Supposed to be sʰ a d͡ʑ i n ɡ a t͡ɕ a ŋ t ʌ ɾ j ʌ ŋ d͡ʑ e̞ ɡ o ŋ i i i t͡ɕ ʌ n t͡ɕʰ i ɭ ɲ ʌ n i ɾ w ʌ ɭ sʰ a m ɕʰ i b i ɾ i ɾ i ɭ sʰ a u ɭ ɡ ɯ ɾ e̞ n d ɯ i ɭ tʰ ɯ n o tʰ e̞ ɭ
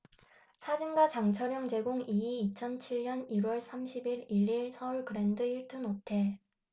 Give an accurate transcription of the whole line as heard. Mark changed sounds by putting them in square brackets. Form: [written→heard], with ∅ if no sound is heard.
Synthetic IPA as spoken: sʰ a d͡ʑ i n ɡ a t͡ɕ a ŋ [t→t͡ɕʰ] ʌ ɾ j ʌ ŋ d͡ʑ e̞ ɡ o ŋ i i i [t͡ɕ→t͡ɕʰ] ʌ n t͡ɕʰ i ɭ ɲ ʌ n i ɾ w ʌ ɭ sʰ a m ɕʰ i b i ɾ i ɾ i ɭ sʰ [a→ʌ] u ɭ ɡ ɯ ɾ e̞ n d ɯ i ɭ tʰ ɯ n o tʰ e̞ ɭ